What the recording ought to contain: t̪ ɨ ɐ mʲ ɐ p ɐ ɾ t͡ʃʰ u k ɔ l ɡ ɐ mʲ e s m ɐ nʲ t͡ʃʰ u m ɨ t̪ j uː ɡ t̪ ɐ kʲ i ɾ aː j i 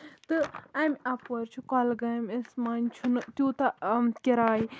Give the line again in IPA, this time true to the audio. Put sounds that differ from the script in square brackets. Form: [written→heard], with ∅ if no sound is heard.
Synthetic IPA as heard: t̪ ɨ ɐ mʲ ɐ p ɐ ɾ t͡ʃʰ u k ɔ l ɡ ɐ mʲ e s m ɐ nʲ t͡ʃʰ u [m→n] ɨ t̪ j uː [ɡ→∅] t̪ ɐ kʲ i ɾ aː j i